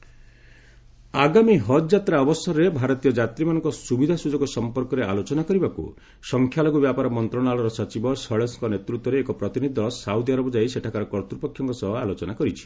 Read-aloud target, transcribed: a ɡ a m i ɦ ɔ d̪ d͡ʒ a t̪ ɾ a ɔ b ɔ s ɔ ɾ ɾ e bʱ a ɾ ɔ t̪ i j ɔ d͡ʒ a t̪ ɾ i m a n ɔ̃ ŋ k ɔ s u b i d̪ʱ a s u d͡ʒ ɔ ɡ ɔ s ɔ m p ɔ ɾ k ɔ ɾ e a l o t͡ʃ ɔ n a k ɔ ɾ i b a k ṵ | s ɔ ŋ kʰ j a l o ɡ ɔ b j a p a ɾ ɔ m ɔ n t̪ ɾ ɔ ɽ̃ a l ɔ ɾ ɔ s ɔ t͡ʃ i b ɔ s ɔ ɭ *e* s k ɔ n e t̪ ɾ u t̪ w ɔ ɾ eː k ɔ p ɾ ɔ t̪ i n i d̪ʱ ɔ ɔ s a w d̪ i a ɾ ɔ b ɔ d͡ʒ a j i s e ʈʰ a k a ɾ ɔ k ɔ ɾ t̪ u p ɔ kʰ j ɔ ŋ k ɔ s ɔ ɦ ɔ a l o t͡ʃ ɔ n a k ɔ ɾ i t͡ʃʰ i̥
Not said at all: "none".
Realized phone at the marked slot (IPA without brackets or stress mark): e